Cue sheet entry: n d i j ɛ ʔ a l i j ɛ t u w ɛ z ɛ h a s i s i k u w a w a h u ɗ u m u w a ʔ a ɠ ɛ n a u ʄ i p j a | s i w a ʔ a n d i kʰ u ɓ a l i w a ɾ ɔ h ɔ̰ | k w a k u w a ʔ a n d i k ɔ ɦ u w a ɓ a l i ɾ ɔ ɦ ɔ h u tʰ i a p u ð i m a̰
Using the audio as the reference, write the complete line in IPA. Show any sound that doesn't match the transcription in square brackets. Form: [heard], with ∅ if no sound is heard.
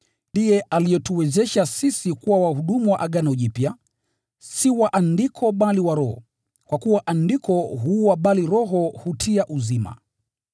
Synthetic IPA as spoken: n d i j ɛ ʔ a l i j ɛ t u w ɛ z ɛ [ʃ] a s i s i k u w a w a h u ɗ u m u w a ʔ a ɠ [a] n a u ʄ i p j a | s i w a ʔ a n d i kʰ [ɔ] ɓ a l i w a ɾ ɔ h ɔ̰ | k w a k u w a ʔ a n d i k ɔ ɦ u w a ɓ a l i ɾ ɔ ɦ ɔ h u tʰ i a [ʔ] u [z] i m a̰